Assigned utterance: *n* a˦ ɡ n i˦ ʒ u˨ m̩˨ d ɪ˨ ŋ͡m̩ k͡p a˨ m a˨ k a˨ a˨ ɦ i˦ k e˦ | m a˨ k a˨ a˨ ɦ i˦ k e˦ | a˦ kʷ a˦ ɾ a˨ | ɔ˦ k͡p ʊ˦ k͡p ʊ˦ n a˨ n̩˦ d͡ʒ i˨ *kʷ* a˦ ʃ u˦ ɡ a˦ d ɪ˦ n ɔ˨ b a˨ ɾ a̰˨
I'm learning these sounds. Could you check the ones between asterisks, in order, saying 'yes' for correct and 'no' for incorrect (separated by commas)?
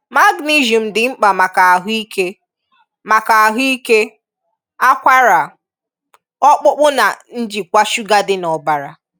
no, yes